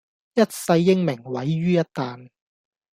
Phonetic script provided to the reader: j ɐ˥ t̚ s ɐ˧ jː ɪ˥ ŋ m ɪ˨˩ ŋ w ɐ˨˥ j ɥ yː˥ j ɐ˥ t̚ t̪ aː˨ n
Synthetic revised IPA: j ɐ˥ t̚ s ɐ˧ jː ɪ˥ ŋ m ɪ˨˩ ŋ w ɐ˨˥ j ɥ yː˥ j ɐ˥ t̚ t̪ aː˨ n